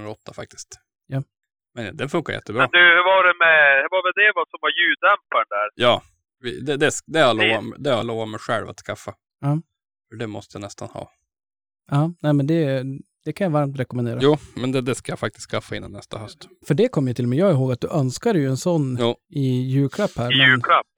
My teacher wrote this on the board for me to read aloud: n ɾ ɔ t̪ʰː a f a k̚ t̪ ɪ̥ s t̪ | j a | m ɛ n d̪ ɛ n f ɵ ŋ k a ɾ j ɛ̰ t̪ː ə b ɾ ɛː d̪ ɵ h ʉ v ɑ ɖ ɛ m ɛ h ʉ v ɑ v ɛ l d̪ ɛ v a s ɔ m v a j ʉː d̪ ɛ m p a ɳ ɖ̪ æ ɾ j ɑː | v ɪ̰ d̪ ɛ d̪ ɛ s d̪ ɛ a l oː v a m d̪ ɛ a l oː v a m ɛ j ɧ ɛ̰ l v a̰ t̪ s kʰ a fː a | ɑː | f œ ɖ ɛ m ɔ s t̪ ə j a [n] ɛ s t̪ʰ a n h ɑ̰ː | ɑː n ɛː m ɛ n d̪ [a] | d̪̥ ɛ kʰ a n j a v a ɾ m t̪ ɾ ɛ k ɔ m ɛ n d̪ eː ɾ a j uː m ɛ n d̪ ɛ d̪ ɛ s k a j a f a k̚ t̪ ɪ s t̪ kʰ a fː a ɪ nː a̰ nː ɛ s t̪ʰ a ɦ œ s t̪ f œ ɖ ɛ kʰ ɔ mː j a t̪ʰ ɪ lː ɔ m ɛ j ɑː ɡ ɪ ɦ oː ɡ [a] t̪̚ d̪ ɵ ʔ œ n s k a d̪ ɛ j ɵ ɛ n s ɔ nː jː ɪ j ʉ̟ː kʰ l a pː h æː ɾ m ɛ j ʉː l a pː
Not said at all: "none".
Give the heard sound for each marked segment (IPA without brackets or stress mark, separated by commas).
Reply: n, ɛ, a